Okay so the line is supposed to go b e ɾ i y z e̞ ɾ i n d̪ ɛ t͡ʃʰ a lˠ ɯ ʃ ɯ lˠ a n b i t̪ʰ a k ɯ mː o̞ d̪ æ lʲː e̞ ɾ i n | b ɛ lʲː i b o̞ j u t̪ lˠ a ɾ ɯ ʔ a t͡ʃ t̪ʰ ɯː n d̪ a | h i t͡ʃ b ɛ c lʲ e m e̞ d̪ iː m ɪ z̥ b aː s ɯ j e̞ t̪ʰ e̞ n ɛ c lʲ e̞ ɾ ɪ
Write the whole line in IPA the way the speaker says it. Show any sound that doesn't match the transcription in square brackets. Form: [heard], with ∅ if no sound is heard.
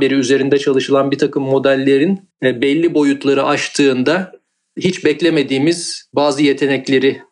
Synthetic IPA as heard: b e ɾ i y z e̞ ɾ i n d̪ ɛ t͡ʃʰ a lˠ ɯ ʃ ɯ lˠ a n b i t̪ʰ a k ɯ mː o̞ d̪ æ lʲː e̞ ɾ i n | b ɛ lʲː i b o̞ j u t̪ lˠ a ɾ ɯ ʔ a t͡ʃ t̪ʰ ɯː n d̪ a | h i t͡ʃ b ɛ c lʲ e m e̞ d̪ iː m [i] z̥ b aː [z] ɯ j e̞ t̪ʰ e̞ n ɛ c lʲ e̞ ɾ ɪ